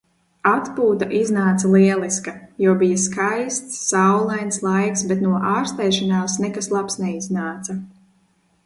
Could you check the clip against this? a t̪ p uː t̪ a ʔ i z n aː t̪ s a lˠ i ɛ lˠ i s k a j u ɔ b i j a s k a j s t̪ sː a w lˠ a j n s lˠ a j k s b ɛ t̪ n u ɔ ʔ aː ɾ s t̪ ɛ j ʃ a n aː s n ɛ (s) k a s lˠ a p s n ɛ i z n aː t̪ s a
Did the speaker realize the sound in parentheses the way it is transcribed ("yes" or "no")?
no